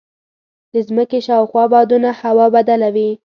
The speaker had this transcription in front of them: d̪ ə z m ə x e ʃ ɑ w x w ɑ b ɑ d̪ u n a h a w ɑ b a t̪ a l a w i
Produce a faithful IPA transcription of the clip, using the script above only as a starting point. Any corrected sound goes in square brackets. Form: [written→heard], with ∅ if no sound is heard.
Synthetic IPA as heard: d̪ ə z m ə [x→k] e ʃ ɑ w x w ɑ b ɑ d̪ u n a h a w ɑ b a [t̪→d̪] a l a w i